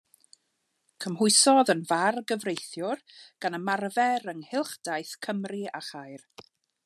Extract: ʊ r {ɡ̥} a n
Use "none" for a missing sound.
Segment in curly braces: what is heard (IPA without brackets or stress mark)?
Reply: ɡ̥